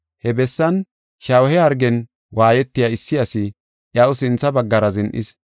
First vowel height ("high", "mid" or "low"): mid